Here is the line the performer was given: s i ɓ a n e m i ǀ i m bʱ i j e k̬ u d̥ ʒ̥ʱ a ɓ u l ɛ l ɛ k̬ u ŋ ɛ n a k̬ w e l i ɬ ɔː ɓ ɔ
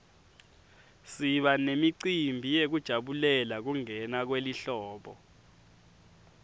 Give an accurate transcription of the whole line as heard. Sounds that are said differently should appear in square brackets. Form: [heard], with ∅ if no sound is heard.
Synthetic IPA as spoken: s i ɓ a n e m i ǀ i m bʱ i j e k̬ u d̥ ʒ̥ʱ a ɓ u l ɛ l [a] k̬ u ŋ ɛ n a k̬ w e l i ɬ ɔː ɓ ɔ